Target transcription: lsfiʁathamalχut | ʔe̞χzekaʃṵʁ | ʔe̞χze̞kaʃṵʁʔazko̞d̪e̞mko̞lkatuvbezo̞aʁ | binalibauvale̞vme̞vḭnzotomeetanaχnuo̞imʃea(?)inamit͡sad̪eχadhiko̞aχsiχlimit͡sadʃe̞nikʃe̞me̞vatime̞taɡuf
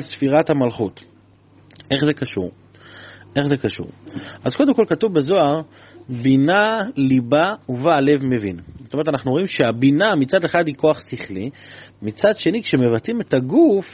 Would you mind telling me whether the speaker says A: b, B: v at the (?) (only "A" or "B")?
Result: A